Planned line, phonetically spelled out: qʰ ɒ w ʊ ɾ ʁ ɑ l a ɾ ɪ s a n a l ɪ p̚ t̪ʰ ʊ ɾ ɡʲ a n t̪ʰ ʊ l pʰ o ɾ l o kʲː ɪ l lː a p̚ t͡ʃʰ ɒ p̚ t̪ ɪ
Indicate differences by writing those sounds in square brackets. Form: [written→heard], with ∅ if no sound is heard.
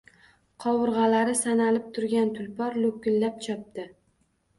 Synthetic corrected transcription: qʰ ɒ w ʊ ɾ ʁ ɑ l a ɾ ɪ s a n a l ɪ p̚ t̪ʰ ʊ ɾ ɡʲ a n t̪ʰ ʊ l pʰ [o→ɒ] ɾ l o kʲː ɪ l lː a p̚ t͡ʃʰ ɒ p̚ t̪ ɪ